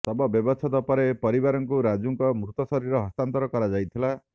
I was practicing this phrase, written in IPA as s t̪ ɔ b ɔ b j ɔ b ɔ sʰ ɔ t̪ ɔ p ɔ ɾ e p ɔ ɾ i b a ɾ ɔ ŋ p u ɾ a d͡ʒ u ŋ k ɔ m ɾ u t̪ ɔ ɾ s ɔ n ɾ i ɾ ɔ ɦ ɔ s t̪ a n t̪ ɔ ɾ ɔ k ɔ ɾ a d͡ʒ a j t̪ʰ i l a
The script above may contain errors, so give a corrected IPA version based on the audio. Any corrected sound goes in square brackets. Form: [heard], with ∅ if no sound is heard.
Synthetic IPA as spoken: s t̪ ɔ b ɔ b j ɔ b ɔ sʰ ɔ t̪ ɔ p ɔ ɾ e p ɔ ɾ i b a ɾ ɔ ŋ [k] u ɾ a d͡ʒ u ŋ k ɔ m ɾ u t̪ ɔ [∅] s ɔ [∅] ɾ i ɾ ɔ ɦ ɔ s t̪ a n t̪ ɔ ɾ ɔ k ɔ ɾ a d͡ʒ a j t̪ʰ i l a